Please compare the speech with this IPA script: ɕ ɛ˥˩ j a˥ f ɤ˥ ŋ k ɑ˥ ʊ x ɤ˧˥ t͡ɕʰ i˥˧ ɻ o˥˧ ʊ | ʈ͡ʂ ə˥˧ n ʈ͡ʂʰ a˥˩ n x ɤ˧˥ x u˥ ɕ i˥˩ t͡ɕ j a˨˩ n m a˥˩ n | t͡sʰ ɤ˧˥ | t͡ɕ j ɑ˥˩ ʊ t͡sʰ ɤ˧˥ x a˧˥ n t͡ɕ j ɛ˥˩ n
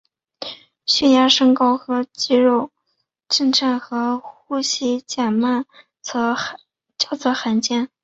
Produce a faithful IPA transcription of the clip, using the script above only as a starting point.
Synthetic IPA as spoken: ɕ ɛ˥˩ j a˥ ʂ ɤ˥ ŋ k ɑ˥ ʊ x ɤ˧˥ t͡ɕ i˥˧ ɻ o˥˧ ʊ | ʈ͡ʂ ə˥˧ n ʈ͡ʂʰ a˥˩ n x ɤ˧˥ x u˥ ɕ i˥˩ t͡ɕ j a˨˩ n m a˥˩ n | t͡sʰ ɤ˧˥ | t͡ɕ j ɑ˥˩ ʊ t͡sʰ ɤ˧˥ x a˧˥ n t͡ɕ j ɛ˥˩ n